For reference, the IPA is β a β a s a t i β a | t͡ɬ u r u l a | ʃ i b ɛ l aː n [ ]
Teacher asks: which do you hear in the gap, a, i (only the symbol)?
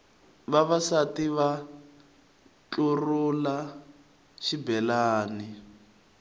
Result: i